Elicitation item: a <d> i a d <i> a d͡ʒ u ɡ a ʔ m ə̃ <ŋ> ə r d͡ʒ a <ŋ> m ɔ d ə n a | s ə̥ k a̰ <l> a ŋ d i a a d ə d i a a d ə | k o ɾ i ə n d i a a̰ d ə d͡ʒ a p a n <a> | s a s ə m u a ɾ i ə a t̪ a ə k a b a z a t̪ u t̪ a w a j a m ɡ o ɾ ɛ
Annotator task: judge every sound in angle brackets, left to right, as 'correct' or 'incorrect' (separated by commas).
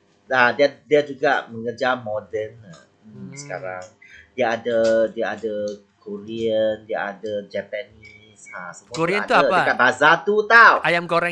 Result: correct, correct, correct, incorrect, incorrect, incorrect